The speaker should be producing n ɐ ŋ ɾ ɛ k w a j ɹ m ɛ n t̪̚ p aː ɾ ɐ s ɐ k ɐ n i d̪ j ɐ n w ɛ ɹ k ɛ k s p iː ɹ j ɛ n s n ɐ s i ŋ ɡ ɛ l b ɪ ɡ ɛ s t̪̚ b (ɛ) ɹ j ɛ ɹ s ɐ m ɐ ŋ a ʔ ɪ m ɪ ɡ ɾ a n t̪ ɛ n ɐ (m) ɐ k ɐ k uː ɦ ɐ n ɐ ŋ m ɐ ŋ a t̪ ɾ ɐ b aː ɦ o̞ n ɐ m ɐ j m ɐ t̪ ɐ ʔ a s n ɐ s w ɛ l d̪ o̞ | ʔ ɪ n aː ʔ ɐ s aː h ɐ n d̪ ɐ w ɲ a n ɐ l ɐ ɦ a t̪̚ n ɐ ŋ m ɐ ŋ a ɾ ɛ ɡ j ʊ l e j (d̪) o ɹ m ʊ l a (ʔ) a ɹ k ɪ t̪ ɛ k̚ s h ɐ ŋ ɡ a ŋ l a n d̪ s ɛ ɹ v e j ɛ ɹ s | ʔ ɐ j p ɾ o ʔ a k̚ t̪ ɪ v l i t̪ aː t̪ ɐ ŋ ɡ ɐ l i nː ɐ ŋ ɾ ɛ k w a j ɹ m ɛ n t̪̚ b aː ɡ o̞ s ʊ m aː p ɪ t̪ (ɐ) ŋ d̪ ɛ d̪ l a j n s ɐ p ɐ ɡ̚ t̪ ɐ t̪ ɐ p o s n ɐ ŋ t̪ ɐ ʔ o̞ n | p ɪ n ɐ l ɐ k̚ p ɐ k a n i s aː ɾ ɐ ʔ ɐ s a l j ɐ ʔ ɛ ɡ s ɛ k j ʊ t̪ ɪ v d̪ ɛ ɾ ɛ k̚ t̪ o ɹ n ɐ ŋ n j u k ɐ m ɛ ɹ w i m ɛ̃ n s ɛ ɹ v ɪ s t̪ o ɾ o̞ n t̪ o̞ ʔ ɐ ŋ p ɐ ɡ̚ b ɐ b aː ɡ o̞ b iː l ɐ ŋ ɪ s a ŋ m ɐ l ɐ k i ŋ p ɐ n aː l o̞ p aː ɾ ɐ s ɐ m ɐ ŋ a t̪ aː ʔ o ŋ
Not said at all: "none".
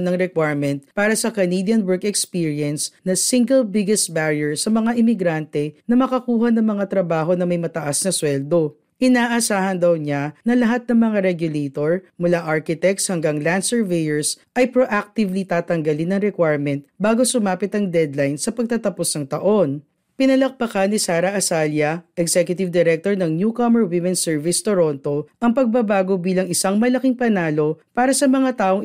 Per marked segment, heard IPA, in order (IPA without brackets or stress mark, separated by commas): a, m, t̪, ʔ, ɐ